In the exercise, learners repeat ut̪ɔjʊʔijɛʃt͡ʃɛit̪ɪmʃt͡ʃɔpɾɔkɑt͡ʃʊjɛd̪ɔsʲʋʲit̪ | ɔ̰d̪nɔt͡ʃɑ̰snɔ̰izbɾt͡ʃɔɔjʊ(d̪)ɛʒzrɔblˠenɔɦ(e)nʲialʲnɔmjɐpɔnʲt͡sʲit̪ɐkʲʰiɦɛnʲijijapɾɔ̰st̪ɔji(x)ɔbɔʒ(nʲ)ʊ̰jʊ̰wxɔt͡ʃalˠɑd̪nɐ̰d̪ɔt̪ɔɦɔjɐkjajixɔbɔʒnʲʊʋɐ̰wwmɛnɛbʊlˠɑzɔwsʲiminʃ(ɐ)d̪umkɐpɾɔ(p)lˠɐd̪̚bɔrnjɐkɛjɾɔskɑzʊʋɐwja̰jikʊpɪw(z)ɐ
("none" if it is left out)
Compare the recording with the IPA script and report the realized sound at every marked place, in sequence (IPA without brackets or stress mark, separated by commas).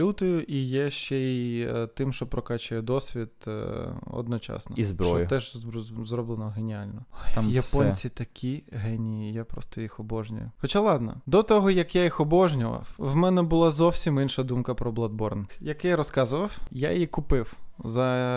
t̪, e, x, nʲ, ɐ, b, z